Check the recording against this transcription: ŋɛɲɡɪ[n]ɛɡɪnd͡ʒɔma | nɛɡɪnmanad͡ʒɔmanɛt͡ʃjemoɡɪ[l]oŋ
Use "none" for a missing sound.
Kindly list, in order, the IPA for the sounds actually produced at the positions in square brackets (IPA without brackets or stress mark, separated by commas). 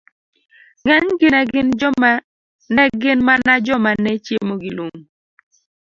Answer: n, l